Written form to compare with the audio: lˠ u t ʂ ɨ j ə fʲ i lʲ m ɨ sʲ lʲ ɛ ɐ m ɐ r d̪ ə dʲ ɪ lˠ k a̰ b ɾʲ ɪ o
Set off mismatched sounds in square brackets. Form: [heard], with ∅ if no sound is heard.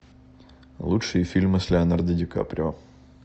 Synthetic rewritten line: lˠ u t ʂ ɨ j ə fʲ i lʲ m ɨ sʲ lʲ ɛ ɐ [n] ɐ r d̪ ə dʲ ɪ [∅] k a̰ [p] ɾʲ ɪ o